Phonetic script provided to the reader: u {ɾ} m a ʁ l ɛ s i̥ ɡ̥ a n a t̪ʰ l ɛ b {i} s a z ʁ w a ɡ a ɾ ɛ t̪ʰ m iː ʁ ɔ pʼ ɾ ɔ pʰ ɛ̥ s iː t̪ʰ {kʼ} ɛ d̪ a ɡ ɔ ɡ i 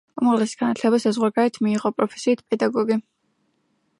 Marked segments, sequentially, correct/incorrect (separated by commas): incorrect, incorrect, incorrect